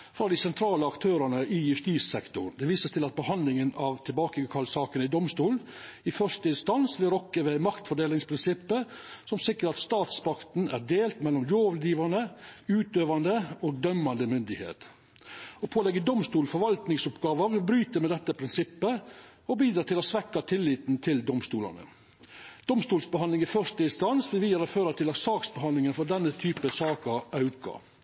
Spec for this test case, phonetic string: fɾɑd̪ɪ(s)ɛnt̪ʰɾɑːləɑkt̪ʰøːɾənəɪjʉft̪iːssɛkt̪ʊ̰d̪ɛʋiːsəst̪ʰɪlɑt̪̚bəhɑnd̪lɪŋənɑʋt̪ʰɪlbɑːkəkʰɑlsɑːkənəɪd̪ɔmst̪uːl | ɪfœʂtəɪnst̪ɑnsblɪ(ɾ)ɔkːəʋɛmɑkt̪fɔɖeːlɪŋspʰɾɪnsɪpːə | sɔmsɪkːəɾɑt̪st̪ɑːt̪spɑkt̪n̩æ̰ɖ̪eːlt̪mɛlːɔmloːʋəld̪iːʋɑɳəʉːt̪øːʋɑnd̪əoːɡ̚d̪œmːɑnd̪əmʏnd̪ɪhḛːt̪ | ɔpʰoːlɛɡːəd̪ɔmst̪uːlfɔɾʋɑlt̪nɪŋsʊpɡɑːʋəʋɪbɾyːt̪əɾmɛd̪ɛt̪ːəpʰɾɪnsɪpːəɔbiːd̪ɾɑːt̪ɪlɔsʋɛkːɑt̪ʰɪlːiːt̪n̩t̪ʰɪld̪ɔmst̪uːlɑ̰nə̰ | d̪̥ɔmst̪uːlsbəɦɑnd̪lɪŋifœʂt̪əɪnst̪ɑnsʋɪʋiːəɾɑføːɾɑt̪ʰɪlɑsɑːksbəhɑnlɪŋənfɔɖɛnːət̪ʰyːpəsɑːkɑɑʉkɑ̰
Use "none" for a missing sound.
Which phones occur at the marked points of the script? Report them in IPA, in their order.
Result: s, ɾ

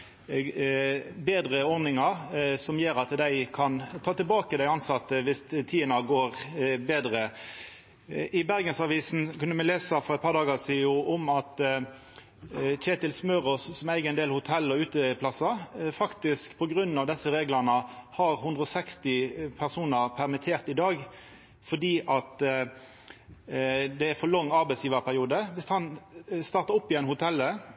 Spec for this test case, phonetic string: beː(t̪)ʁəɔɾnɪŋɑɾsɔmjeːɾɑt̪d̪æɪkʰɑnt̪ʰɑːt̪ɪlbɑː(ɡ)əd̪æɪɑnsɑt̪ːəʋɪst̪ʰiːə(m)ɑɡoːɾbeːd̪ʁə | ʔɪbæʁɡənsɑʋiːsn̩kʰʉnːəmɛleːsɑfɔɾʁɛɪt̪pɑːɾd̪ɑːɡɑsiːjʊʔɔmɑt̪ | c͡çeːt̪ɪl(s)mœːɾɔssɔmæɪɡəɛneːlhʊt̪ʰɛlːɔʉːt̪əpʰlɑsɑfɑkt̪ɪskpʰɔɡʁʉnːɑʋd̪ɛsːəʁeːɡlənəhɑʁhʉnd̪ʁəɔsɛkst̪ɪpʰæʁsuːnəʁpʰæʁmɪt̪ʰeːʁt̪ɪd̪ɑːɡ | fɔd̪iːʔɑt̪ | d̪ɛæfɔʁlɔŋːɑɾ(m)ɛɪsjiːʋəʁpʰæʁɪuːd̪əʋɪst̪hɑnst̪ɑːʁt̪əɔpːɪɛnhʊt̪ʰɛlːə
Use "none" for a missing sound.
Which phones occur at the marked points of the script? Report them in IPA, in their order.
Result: d̪, k, n, s, b

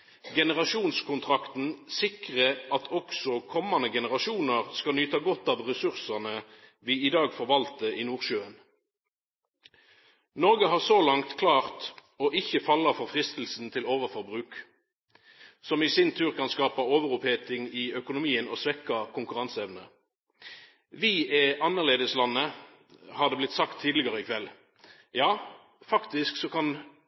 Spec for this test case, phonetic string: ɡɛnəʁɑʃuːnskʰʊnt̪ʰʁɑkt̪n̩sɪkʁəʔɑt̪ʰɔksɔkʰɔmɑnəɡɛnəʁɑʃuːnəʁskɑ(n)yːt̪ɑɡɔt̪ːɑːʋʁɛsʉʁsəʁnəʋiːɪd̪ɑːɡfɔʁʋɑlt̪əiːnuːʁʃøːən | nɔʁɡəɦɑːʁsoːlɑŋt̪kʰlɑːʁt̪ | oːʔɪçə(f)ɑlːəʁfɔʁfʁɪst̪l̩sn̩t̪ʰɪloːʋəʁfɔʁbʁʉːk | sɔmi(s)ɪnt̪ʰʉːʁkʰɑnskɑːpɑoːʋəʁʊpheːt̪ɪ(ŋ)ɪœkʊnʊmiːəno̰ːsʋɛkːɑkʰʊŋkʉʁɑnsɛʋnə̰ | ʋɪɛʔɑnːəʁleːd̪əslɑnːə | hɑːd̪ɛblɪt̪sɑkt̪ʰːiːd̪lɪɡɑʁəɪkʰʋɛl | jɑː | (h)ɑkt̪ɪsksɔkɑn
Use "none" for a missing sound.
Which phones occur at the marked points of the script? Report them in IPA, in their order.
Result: n, f, s, ŋ, f

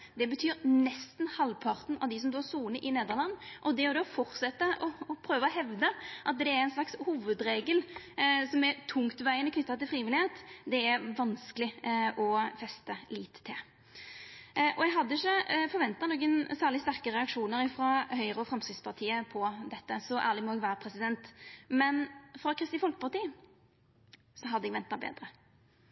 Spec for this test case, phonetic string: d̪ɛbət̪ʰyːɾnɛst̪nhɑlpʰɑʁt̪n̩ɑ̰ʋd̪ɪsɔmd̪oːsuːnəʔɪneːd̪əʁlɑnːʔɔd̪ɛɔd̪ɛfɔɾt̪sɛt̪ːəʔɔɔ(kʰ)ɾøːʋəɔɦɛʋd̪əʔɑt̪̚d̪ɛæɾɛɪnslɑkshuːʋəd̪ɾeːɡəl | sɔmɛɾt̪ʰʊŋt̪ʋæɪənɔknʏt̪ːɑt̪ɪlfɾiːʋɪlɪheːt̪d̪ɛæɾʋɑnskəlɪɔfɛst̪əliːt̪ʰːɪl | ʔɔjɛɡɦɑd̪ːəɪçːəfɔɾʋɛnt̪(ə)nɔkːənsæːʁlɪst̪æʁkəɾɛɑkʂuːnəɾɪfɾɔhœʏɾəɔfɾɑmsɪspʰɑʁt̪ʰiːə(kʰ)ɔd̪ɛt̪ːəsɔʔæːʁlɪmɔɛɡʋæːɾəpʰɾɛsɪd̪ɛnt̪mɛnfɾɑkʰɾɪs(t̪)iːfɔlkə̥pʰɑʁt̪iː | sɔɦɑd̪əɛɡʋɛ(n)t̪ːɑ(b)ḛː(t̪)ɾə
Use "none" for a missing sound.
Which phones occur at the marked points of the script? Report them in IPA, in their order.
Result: pʰ, ɑ, pʰ, t̪, n, b, d̪

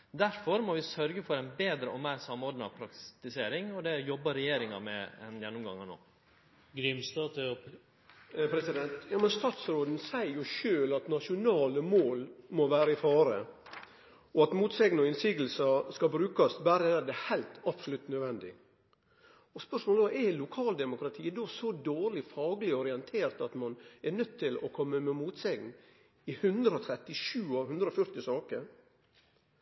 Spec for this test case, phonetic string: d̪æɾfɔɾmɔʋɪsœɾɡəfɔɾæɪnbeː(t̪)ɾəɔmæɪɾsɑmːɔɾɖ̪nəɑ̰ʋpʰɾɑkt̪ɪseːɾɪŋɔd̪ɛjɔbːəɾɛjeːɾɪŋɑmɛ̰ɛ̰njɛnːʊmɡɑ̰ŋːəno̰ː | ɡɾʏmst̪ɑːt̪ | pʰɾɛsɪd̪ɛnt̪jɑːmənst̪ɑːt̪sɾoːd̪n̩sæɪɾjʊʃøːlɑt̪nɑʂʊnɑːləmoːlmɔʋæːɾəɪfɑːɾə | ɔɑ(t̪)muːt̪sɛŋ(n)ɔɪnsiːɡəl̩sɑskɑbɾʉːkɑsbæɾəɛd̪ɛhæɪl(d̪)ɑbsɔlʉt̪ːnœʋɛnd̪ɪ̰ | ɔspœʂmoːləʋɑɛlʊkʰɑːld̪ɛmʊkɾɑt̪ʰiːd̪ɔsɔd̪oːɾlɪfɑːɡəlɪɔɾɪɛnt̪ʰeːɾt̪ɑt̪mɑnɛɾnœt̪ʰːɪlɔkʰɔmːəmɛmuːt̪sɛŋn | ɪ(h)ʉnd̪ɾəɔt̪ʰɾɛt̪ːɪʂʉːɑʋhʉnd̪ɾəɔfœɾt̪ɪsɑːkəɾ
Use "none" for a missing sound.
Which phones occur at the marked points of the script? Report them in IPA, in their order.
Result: d̪, t̪, n, t̪, h

